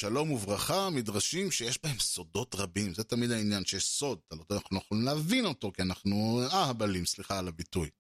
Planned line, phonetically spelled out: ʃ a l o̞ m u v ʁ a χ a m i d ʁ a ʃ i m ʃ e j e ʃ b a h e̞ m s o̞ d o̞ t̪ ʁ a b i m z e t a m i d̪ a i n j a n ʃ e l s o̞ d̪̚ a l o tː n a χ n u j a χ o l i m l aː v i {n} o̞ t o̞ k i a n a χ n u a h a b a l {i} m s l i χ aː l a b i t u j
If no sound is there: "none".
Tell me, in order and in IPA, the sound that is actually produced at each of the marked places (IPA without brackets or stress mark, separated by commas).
n, i